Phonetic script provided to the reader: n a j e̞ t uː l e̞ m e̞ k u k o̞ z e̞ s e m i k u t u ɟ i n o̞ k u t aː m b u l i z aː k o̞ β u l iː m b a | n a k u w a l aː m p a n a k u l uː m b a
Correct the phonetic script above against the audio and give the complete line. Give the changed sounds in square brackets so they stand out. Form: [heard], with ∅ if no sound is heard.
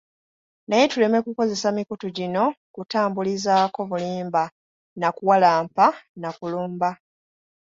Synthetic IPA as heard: n a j e̞ t [u] l e̞ m e̞ k u k o̞ z e̞ s [a] m i k u t u ɟ i n o̞ k u t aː m b u l i z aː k o̞ β u l iː m b a | n a k u w a l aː m p a n a k u l uː m b a